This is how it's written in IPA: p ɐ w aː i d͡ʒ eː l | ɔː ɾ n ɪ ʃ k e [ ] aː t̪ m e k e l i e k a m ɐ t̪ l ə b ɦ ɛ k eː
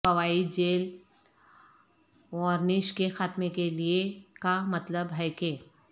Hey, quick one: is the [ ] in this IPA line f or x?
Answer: x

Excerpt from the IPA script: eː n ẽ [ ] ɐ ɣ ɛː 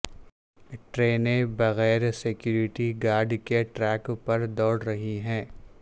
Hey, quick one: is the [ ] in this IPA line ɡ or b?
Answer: b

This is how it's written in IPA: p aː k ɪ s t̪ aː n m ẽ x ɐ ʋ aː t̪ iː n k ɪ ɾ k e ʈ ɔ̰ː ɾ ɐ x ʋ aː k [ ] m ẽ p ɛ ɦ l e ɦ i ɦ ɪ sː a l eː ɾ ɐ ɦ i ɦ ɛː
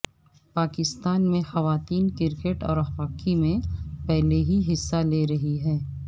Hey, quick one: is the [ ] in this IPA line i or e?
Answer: i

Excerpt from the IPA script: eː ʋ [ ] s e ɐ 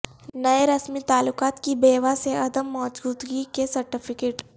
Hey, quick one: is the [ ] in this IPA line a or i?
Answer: a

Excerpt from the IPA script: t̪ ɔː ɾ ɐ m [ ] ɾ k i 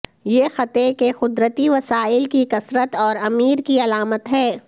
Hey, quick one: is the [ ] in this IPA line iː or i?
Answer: iː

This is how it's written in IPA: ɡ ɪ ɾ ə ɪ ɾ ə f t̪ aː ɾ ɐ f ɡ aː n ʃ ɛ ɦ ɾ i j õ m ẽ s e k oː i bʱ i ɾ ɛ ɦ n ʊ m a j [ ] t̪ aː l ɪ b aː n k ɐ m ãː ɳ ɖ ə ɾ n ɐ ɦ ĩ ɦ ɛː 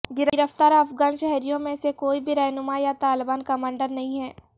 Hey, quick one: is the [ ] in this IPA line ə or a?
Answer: a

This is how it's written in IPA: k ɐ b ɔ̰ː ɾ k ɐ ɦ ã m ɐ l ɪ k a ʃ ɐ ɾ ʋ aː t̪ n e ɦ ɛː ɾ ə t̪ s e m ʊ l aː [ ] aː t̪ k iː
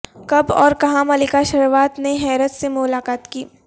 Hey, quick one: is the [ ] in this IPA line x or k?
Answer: k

